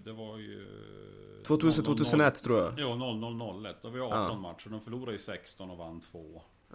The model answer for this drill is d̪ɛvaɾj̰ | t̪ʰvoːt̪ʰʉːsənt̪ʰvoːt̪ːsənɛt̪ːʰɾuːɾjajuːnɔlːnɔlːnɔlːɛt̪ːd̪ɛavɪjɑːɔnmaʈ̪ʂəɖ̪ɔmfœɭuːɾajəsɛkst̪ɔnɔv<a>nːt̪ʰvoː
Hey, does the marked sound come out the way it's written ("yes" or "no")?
yes